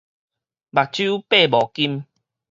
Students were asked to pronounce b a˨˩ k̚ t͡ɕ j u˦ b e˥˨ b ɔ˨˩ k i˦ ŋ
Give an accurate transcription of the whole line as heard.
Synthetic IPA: b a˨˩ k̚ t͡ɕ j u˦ p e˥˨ b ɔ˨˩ k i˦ m